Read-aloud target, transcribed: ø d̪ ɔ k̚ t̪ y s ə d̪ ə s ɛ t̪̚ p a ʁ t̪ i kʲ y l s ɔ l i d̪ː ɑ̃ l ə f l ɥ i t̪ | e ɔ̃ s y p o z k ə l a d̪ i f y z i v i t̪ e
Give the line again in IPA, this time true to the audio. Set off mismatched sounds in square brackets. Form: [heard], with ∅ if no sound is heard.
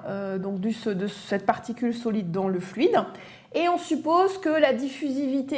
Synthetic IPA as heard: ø d̪ [ɔ̃] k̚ [d̪] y s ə d̪ ə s ɛ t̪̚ p a ʁ t̪ i kʲ y l s ɔ l i d̪ː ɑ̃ l ə f l ɥ i [d̪] | e ɔ̃ s y p o z k ə l a d̪ i f y z i v i t̪ e

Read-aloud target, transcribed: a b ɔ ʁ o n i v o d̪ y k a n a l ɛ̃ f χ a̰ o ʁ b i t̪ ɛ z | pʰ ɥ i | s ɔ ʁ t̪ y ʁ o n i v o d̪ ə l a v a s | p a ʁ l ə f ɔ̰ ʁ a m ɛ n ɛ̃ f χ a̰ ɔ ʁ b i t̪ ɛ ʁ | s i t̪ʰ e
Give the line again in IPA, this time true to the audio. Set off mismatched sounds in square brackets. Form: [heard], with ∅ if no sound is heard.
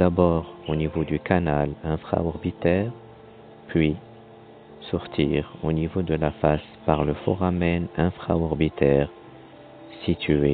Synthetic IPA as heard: a b ɔ ʁ o n i v o d̪ y k a n a l ɛ̃ f χ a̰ [ɔ] ʁ b i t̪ ɛ [ʁ] | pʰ ɥ i | s ɔ ʁ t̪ [i] ʁ o n i v o d̪ ə l a [f] a s | p a ʁ l ə f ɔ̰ ʁ a m ɛ n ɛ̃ f χ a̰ ɔ ʁ b i t̪ ɛ ʁ | s i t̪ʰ e

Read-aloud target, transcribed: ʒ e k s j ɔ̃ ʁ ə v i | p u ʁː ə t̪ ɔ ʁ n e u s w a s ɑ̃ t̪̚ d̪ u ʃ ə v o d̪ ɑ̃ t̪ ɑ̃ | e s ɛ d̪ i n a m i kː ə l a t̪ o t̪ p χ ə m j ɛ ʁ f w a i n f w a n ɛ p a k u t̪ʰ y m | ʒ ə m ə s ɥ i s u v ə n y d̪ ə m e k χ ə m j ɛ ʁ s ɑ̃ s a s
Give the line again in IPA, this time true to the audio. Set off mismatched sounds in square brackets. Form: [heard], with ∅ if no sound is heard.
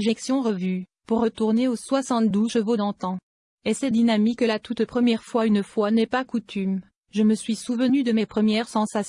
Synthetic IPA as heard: ʒ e k s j ɔ̃ ʁ ə v [y] | p u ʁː ə t̪ [u] ʁ n e [o] s w a s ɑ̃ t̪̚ d̪ u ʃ ə v o d̪ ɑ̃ t̪ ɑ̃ | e s ɛ d̪ i n a m i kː ə l a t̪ [u] t̪ p χ ə m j ɛ ʁ f w a [y] n f w a n ɛ p a k u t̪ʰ y m | ʒ ə m ə s ɥ i s u v ə n y d̪ ə m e [p] χ ə m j ɛ ʁ s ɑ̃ s a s

